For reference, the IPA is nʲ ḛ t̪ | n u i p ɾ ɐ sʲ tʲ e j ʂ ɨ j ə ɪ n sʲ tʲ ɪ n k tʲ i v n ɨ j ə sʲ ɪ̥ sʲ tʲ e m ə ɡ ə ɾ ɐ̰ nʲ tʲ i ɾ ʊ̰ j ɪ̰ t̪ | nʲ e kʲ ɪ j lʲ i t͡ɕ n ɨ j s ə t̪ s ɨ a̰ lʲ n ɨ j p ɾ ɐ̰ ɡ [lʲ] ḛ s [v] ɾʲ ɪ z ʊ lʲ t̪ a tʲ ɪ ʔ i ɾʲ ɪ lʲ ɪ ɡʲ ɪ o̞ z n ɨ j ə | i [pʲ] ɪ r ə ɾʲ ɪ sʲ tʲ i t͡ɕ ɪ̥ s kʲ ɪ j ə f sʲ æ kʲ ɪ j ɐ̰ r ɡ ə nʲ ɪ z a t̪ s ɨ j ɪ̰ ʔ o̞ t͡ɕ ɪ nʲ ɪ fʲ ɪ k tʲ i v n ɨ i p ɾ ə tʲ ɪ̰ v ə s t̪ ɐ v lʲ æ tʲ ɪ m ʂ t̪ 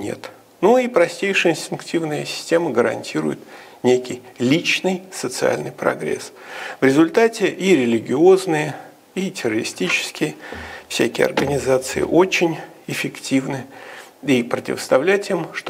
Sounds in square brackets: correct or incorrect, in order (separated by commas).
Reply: incorrect, correct, incorrect